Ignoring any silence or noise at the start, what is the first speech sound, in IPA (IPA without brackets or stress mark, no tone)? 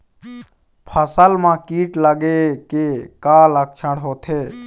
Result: pʰ